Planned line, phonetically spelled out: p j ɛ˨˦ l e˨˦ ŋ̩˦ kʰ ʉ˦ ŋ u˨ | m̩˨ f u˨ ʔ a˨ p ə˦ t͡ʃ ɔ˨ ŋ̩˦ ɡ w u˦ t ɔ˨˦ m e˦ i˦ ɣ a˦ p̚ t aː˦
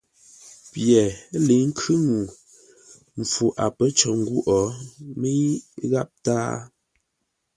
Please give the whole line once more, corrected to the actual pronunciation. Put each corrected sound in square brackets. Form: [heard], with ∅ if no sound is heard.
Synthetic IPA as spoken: p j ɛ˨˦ l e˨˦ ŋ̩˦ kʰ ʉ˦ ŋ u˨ | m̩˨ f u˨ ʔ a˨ p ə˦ t͡ʃ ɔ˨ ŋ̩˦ ɡ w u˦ [ʔ] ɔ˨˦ m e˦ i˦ ɣ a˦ p̚ t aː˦